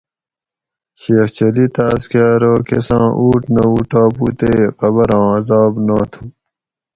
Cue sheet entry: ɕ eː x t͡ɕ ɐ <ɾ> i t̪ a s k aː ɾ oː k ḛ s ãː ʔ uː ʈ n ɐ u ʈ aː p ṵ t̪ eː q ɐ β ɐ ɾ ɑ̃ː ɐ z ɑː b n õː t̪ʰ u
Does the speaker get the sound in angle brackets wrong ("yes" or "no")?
yes